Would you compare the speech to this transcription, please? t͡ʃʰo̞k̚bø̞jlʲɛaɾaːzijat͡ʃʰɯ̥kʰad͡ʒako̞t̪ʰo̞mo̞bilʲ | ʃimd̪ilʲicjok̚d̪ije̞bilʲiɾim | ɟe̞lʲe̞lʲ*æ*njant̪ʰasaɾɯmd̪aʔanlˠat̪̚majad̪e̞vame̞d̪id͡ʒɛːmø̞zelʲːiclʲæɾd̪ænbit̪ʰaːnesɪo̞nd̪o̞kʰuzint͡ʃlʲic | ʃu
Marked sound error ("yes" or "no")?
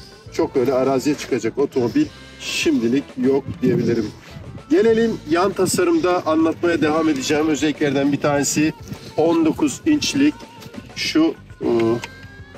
yes